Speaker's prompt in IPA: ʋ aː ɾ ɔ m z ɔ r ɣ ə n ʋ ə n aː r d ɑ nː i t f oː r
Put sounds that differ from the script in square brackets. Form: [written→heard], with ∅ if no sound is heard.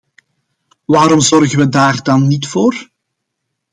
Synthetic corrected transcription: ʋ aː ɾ ɔ m z ɔ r ɣ ə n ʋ ə [n→d] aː r d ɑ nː i t f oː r